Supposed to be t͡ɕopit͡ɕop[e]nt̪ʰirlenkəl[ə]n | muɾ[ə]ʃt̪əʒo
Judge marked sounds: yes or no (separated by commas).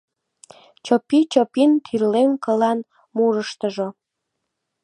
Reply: no, no, yes